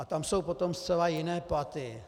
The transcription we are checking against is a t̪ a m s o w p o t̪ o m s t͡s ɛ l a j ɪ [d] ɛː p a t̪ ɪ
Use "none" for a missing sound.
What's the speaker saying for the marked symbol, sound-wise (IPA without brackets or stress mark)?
n